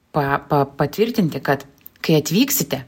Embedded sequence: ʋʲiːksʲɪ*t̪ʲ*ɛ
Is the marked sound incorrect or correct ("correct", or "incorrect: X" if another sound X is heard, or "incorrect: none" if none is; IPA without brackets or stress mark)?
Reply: correct